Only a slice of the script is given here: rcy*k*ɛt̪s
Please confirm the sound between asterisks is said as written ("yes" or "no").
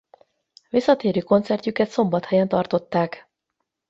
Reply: yes